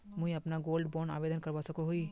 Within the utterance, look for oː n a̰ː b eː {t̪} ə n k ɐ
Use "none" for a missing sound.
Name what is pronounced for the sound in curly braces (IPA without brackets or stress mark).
d̪